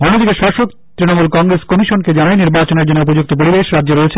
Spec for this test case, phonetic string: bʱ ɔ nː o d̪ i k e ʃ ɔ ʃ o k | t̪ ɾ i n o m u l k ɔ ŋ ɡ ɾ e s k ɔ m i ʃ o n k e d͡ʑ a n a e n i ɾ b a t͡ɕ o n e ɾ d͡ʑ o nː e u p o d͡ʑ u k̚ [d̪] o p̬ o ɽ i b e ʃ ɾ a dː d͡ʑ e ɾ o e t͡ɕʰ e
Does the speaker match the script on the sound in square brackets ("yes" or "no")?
no